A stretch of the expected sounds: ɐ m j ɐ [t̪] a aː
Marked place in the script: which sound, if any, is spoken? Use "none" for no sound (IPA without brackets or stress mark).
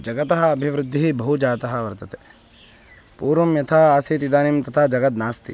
t̪ʰ